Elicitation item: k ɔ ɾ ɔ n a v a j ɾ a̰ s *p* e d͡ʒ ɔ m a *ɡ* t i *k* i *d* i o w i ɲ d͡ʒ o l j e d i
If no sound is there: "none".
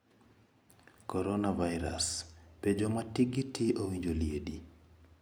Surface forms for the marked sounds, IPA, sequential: p, none, ɡ, t

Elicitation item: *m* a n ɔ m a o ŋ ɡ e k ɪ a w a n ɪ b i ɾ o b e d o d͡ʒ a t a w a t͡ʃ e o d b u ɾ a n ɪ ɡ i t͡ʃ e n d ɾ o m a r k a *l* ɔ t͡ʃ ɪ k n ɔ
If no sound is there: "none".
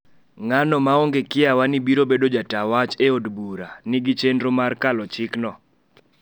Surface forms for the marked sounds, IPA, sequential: ŋ, l

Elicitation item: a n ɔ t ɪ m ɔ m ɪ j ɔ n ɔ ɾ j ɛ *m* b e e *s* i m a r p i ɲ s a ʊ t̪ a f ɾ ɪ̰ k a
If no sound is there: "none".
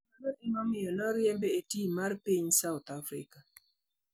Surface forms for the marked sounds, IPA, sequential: m, t

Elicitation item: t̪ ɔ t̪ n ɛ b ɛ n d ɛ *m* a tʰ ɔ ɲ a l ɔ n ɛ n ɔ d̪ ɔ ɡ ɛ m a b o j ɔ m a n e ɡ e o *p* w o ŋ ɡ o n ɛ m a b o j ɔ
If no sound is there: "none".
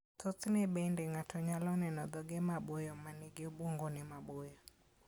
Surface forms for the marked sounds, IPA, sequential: ŋ, b

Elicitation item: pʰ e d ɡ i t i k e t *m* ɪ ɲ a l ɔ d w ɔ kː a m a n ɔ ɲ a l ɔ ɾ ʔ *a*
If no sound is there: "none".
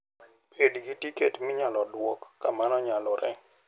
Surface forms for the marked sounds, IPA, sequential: m, ɛ

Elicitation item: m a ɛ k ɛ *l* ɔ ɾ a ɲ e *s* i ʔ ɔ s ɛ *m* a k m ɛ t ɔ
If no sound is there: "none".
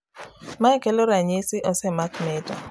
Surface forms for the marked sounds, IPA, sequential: l, s, m

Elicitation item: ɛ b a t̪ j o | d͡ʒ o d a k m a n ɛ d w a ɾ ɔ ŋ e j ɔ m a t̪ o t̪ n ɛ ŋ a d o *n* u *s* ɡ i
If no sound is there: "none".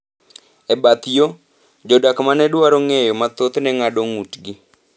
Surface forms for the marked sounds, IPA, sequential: ŋ, t

